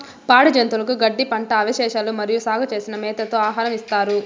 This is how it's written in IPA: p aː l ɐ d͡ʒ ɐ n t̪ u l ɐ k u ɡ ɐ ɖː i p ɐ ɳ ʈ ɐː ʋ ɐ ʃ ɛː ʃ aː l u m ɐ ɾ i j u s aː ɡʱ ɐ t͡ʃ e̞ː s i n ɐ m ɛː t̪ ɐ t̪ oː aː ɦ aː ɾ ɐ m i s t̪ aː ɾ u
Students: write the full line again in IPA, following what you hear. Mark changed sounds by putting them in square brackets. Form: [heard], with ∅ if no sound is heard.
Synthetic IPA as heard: p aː [ɽ] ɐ d͡ʒ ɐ n t̪ u l ɐ k u ɡ ɐ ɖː i p ɐ ɳ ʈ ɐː ʋ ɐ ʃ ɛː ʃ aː l u m ɐ ɾ i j u s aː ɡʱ ɐ t͡ʃ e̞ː s i n ɐ m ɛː t̪ ɐ t̪ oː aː ɦ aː ɾ ɐ m i s t̪ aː ɾ u